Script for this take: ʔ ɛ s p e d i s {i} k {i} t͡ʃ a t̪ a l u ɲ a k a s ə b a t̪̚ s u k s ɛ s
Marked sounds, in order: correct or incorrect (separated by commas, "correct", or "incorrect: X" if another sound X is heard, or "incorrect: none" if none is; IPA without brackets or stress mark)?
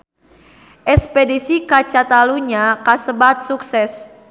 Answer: correct, incorrect: a